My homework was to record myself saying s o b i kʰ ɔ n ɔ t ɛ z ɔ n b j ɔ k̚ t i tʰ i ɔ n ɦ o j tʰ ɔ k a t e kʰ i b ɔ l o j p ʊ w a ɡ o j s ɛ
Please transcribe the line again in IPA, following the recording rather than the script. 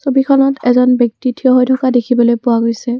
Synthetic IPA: s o b i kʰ ɔ n ɔ t ɛ z ɔ n b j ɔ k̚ t i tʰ i ɔ ɦ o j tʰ ɔ k a d e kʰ i b ɔ l o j p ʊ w a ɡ o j s ɛ